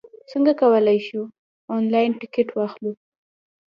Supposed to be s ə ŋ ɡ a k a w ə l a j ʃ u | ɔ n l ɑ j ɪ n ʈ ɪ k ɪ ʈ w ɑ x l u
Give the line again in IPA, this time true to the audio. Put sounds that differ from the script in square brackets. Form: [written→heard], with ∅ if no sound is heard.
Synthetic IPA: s ə ŋ ɡ a k a w ə l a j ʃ u | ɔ n l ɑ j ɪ n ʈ ɪ k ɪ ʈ w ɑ x l u